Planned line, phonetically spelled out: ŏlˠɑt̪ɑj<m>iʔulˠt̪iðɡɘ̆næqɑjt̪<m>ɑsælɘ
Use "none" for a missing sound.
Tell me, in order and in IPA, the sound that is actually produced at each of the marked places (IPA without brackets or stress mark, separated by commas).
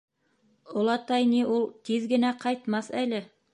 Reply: n, m